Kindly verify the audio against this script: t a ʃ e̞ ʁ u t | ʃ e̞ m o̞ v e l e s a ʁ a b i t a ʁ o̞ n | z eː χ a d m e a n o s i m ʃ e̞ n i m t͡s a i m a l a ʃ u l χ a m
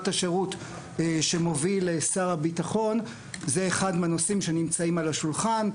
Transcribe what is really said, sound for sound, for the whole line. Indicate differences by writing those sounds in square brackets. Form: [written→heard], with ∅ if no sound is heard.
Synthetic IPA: t a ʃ e̞ ʁ u t | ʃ e̞ m o̞ v [e→i] l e s a ʁ a b i t a [ʁ→χ] o̞ n | z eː χ a d m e a n o s i m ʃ e̞ n i m t͡s a i m a l a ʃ u l χ a [m→n]